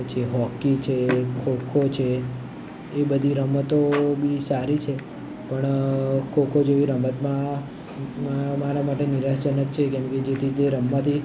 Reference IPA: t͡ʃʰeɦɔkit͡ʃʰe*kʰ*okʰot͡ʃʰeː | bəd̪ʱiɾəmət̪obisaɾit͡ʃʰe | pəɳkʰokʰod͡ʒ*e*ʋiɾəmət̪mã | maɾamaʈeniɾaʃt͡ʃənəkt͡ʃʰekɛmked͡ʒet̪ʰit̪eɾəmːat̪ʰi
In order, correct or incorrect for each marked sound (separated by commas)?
correct, correct